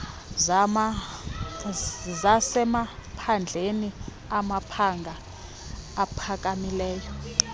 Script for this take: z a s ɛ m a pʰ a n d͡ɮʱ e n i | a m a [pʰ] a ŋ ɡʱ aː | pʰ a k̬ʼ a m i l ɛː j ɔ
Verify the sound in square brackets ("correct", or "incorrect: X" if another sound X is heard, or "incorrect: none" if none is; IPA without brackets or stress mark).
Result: correct